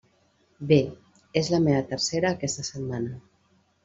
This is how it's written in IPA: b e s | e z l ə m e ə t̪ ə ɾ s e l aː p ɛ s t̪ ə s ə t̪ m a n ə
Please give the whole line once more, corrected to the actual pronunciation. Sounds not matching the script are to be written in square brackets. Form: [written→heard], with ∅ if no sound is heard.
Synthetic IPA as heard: b e [s→∅] | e z l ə m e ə t̪ ə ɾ s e [l→ɾ] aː [p→k] ɛ s t̪ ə s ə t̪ m a n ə